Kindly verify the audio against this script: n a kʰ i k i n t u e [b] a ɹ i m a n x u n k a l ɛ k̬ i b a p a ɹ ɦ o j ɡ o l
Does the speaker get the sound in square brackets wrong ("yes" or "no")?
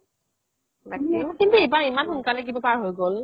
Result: no